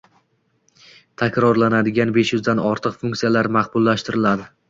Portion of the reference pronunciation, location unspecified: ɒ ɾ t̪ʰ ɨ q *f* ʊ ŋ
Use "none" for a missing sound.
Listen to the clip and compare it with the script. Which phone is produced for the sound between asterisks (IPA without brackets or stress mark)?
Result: f